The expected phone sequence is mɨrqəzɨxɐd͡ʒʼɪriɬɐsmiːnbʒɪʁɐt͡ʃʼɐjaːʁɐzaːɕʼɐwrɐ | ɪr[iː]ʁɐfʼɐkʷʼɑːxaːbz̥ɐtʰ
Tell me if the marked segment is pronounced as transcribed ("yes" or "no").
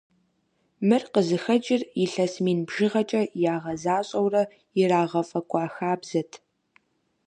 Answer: no